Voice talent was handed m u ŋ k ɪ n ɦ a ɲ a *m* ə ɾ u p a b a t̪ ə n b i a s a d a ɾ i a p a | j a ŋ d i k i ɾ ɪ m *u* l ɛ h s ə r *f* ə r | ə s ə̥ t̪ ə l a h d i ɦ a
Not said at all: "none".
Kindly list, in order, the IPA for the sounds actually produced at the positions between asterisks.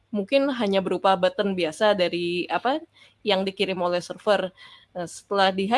b, o, f

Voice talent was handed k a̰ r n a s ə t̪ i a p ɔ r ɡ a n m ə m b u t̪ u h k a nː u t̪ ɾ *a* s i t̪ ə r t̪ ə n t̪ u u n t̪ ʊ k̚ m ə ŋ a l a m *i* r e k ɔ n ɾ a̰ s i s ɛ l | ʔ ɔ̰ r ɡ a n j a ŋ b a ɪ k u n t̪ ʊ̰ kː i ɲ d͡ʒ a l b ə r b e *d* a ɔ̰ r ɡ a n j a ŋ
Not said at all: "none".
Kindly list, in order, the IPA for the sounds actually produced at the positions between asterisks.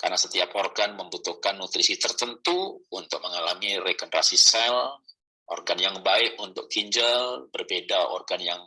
i, i, d

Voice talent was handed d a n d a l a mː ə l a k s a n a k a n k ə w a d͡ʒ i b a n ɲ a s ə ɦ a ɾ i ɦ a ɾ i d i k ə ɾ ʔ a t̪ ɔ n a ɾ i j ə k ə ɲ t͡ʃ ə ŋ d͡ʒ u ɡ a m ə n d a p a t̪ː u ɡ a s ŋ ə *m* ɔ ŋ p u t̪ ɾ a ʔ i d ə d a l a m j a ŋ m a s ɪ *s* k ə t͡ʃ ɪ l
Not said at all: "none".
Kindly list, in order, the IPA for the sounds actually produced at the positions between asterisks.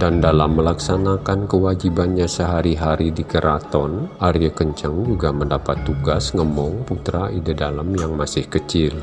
m, h

